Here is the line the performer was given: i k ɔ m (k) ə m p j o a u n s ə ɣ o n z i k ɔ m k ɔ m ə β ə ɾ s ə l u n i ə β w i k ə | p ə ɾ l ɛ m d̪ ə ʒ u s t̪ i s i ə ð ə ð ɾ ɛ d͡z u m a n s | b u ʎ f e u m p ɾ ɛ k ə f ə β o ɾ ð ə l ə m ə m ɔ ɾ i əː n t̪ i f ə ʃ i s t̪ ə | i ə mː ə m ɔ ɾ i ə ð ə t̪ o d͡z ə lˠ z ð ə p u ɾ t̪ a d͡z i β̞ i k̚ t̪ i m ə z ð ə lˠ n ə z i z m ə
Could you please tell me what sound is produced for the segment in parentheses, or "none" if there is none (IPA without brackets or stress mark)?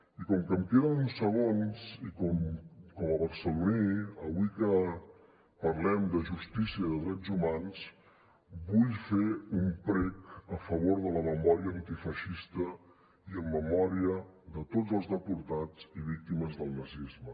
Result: k